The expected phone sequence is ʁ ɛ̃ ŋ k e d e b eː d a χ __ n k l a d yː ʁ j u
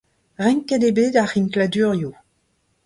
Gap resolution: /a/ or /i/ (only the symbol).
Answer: i